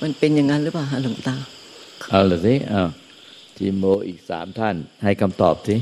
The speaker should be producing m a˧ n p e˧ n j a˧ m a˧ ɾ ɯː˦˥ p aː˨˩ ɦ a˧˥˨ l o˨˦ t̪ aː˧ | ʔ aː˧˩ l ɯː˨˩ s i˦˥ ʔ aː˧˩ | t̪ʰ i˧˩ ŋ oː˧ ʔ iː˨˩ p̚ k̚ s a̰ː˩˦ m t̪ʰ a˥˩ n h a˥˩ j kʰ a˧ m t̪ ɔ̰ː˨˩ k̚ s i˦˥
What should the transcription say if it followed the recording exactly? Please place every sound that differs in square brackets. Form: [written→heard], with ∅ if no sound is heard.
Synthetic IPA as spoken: m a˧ n p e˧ n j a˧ [m→ŋ] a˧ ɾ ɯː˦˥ p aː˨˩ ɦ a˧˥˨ l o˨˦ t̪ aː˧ | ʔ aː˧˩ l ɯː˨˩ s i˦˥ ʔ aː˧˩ | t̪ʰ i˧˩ [ŋ→m] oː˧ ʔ iː˨˩ [p̚→∅] k̚ s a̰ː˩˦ m t̪ʰ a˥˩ n h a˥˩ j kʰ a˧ m t̪ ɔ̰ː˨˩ [k̚→p̚] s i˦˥